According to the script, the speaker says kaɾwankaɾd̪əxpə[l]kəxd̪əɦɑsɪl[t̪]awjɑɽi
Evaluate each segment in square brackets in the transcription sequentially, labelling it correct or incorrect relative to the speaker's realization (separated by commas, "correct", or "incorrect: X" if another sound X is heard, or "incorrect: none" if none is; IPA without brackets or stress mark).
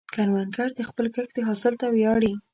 correct, correct